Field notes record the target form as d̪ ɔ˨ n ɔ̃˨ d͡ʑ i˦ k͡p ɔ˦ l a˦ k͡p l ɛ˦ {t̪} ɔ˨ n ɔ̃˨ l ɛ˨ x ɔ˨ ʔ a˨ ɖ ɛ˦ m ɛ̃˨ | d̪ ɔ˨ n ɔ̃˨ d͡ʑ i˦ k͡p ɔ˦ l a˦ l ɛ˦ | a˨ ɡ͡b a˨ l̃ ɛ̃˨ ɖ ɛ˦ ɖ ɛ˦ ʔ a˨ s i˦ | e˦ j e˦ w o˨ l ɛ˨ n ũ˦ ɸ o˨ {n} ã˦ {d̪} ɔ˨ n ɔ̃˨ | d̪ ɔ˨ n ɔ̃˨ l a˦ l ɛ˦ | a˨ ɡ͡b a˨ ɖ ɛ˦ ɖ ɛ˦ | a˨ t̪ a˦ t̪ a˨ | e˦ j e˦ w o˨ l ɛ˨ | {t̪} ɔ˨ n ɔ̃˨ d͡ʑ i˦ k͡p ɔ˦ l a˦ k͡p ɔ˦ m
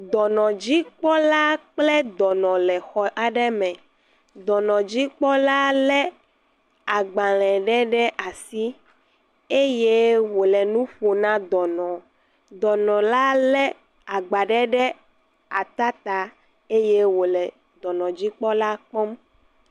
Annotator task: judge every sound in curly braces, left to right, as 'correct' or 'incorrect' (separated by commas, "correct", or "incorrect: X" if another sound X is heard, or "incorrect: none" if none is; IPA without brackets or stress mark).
incorrect: d̪, correct, correct, incorrect: d̪